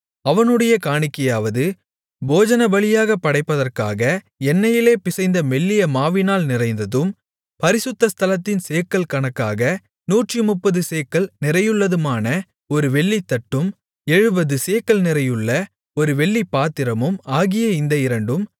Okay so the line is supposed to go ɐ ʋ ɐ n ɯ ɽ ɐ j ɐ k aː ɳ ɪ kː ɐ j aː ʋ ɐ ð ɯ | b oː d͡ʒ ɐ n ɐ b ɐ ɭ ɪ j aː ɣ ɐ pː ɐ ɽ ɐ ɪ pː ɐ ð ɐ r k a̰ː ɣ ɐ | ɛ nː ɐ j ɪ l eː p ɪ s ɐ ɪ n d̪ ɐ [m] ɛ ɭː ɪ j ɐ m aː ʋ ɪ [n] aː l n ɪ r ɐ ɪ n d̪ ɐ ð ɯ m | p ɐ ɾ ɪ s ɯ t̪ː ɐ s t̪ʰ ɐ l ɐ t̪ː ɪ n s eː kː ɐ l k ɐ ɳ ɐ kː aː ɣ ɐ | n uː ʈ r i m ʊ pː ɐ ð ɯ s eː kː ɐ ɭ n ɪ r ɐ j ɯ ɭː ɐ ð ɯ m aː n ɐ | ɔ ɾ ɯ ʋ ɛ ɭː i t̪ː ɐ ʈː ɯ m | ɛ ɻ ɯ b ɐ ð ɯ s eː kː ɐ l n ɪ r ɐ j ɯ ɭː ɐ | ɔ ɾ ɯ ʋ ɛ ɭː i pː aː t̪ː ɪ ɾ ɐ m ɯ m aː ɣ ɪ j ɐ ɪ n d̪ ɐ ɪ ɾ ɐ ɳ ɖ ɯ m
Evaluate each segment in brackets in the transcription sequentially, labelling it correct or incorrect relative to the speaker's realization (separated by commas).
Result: correct, correct